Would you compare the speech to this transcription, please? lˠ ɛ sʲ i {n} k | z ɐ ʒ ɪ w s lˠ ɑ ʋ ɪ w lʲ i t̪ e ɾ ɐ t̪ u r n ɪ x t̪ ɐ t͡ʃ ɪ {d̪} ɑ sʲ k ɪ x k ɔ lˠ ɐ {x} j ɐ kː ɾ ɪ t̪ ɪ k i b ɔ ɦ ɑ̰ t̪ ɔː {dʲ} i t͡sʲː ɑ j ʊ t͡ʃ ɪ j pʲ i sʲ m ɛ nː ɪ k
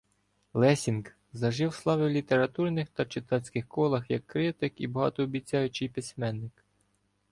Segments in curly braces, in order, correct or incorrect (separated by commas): correct, incorrect, correct, incorrect